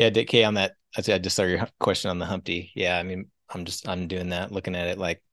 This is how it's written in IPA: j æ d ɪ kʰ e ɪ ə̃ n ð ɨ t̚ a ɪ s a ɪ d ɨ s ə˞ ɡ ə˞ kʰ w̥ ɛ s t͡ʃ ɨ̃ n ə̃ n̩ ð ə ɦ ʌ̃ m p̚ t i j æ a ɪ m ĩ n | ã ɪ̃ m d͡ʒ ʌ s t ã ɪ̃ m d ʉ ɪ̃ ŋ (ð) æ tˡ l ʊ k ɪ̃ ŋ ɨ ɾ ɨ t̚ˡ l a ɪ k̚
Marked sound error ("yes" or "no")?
no